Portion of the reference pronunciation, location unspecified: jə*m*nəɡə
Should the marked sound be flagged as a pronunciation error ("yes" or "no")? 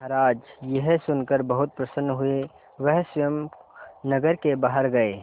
no